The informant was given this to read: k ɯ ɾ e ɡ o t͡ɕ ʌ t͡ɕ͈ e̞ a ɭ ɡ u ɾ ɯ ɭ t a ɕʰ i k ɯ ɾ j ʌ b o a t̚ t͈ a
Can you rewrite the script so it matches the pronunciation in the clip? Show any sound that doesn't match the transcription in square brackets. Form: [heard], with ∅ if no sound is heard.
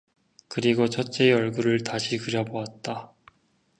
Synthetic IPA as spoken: k ɯ ɾ [i] ɡ o [t͡ɕʰ] ʌ t͡ɕ͈ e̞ [ʌ] ɭ ɡ u ɾ ɯ ɭ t a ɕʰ i k ɯ ɾ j ʌ b o a t̚ t͈ a